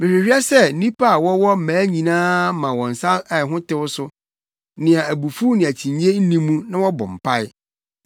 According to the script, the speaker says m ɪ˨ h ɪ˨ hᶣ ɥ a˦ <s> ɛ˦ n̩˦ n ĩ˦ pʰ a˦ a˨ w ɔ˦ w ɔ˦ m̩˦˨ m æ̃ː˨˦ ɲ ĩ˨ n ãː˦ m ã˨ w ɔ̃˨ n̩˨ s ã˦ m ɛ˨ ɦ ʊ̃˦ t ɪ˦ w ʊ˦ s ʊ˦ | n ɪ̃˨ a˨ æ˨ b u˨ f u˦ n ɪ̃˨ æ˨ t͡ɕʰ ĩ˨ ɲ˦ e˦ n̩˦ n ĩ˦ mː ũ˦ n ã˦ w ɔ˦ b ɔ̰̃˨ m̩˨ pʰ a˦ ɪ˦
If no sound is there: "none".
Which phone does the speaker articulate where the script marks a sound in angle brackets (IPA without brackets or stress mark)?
s